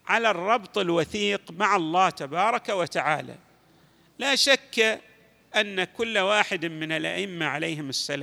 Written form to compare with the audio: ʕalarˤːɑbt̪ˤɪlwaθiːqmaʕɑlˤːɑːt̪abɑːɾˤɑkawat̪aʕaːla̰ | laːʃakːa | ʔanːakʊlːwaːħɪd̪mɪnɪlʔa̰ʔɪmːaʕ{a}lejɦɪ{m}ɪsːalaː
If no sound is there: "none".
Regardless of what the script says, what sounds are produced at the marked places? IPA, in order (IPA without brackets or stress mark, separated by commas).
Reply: a, m